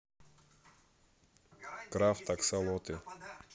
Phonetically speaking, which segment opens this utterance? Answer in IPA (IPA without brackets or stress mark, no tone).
k